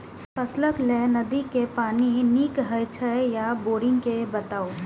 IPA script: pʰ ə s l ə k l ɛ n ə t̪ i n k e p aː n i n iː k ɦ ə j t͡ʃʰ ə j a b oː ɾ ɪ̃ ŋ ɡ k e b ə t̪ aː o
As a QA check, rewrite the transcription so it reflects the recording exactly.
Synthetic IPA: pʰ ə s l ə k l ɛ n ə d̪ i k e p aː n i n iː k ɦ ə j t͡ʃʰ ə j a b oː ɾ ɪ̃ ŋ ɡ k e b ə t̪ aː o